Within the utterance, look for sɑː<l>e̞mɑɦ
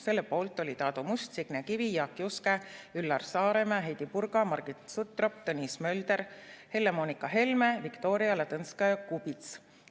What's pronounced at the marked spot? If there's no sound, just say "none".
ɾ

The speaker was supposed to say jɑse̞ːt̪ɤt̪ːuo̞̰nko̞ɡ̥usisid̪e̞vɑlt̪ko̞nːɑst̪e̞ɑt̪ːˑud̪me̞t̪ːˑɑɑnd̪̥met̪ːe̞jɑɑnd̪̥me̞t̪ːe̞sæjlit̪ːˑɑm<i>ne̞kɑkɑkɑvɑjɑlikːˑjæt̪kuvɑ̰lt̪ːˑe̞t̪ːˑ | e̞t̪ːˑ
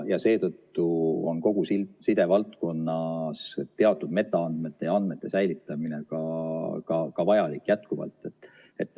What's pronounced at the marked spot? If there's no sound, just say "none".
i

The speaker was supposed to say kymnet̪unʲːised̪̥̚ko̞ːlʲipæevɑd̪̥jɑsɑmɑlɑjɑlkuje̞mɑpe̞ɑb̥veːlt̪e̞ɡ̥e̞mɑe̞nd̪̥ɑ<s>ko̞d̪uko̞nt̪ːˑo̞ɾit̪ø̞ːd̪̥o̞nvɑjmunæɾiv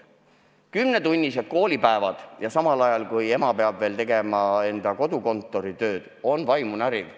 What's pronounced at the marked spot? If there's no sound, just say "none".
none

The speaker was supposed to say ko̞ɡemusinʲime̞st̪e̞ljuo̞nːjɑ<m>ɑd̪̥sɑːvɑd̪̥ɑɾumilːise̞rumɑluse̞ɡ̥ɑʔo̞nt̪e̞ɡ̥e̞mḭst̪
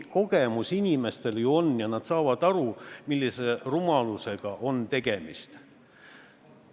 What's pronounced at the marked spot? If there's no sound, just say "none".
n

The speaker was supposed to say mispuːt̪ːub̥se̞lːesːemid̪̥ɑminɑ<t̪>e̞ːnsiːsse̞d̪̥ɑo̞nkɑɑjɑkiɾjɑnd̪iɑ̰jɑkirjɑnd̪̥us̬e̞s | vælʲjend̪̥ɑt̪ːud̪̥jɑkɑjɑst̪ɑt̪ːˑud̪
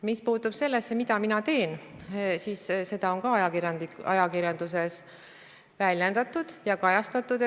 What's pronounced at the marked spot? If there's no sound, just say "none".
t̪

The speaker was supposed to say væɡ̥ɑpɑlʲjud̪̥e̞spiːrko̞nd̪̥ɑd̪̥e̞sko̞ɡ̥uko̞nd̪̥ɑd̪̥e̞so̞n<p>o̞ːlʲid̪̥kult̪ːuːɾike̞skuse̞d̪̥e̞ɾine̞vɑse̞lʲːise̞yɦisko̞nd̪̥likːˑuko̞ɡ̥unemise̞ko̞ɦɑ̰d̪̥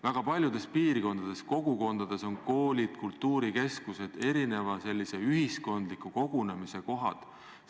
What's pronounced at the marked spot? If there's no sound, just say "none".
k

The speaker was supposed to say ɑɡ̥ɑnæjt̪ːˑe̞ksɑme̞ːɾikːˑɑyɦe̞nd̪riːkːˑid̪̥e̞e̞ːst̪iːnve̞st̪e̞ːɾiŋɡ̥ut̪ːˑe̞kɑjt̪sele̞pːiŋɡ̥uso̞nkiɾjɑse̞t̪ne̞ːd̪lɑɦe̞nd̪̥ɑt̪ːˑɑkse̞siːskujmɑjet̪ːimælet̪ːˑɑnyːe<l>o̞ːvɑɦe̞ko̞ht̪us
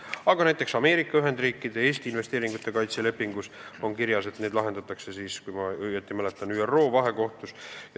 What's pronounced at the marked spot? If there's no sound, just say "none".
r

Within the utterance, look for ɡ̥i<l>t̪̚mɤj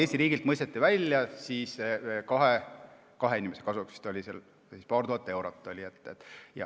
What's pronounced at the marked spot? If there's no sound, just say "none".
l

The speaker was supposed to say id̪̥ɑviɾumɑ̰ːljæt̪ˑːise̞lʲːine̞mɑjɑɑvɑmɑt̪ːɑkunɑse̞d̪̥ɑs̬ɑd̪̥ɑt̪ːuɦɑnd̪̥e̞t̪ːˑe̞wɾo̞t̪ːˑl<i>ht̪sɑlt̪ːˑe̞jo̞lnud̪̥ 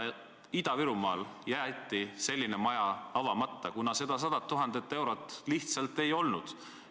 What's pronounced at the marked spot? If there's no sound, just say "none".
i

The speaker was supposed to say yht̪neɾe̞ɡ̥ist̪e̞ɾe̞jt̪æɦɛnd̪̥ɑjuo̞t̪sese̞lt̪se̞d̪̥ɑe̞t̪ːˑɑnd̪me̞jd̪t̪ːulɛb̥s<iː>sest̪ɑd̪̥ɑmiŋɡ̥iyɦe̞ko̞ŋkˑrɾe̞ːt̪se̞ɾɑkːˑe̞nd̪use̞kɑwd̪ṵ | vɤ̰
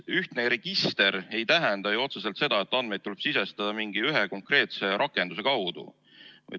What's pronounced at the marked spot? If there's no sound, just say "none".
i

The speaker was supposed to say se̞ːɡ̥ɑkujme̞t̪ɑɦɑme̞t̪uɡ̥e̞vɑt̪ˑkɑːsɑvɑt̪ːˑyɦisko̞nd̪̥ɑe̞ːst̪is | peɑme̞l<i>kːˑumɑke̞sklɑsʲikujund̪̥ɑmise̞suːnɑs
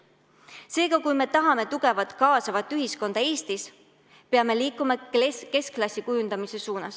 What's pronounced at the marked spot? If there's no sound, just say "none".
iː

